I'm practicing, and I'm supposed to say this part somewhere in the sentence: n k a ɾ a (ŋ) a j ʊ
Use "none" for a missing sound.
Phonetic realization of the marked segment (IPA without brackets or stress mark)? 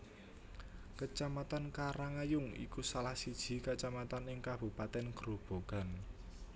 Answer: ŋ